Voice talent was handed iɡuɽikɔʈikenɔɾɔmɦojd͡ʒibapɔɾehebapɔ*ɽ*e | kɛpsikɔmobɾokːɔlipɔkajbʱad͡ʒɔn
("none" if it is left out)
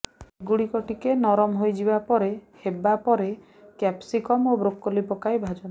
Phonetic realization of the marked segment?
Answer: ɾ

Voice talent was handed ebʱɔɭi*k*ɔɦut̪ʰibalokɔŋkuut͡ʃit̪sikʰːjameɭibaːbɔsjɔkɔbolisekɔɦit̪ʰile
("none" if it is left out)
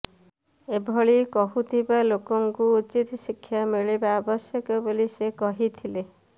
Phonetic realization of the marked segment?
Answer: k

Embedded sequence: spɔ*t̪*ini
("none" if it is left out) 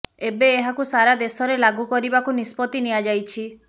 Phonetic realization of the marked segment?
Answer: t̪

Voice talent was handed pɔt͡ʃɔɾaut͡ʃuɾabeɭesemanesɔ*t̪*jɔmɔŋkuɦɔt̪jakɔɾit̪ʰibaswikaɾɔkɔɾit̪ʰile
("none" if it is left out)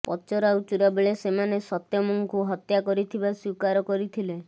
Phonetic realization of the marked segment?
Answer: t̪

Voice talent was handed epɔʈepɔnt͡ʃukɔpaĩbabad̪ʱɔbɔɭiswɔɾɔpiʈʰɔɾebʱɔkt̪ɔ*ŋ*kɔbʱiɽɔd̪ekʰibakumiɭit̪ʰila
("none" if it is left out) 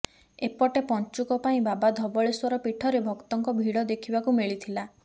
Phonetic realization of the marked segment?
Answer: ŋ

